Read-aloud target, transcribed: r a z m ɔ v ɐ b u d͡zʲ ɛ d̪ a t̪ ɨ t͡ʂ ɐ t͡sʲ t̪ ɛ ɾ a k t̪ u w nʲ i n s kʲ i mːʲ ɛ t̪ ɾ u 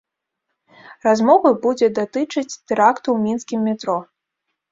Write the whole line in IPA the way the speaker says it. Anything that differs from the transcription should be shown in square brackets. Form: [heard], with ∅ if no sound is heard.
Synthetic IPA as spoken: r a z m ɔ v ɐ b u d͡zʲ ɛ d̪ a t̪ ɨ t͡ʂ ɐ t͡sʲ t̪ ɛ ɾ a k t̪ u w [mʲ] i n s kʲ i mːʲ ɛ t̪ ɾ [ɔ]